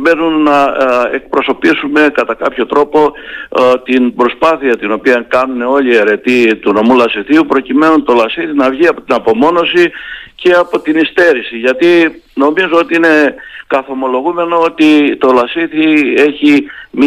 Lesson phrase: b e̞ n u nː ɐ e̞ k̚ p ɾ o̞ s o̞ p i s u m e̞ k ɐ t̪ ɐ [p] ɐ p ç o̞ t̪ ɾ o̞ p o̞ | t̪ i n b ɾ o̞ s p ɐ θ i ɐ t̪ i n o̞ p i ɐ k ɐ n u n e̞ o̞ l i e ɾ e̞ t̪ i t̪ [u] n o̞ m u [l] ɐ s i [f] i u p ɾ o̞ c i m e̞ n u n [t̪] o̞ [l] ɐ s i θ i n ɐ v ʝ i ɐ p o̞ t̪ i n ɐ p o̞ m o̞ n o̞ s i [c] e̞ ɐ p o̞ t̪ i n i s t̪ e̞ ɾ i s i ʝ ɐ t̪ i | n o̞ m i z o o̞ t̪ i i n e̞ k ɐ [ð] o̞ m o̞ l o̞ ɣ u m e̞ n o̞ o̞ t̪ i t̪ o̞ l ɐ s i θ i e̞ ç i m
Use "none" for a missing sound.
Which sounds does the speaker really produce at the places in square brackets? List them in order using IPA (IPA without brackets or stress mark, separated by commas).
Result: k, u, l, θ, t̪, l, c, θ